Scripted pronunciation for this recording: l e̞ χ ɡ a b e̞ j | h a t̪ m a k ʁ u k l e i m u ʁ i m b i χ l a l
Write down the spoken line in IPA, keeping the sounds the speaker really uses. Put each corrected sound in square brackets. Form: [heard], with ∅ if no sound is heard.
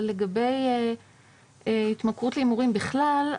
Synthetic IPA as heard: l e̞ [∅] ɡ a b e̞ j | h [i] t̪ m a k ʁ u [t] l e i m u ʁ i m b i χ l a l